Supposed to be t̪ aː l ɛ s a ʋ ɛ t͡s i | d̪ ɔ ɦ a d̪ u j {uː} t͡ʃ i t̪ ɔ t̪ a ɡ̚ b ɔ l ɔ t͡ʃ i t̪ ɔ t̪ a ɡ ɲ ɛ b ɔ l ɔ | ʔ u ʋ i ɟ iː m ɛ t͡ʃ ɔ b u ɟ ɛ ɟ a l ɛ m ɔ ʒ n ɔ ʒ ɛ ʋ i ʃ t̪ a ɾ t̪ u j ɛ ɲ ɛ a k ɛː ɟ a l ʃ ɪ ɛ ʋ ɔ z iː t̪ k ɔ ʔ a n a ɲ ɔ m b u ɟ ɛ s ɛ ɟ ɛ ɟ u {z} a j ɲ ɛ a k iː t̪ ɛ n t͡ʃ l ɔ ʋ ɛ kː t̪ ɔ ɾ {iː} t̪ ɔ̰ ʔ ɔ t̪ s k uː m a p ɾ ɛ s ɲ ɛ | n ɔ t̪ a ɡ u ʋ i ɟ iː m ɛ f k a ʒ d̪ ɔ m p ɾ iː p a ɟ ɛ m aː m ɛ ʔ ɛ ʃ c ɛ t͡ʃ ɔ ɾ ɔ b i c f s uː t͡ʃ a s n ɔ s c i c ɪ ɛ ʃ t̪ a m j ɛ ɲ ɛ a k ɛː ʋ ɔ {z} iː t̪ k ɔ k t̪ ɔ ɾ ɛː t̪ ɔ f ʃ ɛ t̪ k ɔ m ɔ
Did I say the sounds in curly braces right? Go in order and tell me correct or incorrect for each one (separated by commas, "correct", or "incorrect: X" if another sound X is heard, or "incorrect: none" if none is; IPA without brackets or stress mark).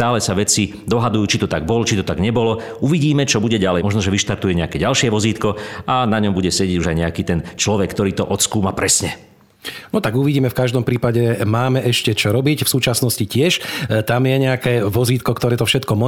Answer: correct, incorrect: ʒ, correct, correct